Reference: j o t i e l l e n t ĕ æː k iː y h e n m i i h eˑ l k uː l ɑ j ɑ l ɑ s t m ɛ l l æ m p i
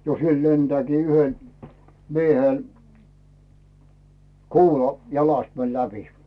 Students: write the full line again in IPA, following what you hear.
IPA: j o s i e l l e n t ĕ æː k iː y h e n m i e h eˑ l k uː l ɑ j ɑ l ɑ s t m ɛ l l æ p i